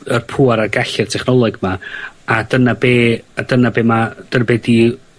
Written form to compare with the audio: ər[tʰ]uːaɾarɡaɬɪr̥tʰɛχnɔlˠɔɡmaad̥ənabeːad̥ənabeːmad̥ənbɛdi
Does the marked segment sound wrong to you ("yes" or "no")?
yes